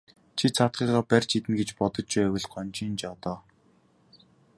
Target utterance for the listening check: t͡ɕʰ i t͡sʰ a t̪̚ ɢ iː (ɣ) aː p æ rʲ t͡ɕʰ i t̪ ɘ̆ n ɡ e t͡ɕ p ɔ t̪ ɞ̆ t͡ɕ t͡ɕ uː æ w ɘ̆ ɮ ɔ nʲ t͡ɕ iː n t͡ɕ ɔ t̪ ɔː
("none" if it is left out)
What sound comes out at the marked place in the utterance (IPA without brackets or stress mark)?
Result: ʁ